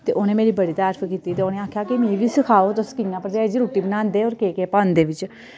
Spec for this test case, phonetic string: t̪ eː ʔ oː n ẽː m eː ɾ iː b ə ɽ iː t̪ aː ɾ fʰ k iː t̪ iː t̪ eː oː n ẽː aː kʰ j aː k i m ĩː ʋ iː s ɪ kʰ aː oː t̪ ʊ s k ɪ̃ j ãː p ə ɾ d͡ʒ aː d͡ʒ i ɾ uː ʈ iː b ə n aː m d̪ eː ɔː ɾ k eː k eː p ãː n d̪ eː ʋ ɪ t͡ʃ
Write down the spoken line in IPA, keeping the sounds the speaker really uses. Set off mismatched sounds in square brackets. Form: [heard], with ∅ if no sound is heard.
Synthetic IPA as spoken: t̪ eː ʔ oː n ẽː m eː ɾ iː b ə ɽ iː t̪ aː ɾ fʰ k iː t̪ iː t̪ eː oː n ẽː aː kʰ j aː k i m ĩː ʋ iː s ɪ kʰ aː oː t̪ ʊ s k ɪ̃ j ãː p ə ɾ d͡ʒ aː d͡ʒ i ɾ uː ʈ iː b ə n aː [n] d̪ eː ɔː ɾ k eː k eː p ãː n d̪ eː ʋ ɪ t͡ʃ